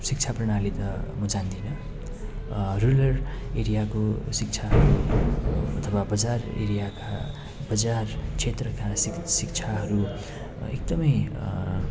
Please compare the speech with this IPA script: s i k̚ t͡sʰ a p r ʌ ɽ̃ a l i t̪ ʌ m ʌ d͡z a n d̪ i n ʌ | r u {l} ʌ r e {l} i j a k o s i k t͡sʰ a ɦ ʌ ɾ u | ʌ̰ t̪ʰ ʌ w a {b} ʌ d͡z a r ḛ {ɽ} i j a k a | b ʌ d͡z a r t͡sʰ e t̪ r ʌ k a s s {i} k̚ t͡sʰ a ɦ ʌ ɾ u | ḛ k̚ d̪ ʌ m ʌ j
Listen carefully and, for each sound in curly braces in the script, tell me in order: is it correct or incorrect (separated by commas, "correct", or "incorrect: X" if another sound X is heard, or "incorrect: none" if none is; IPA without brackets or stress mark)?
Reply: correct, incorrect: ɾ, correct, incorrect: ɾ, correct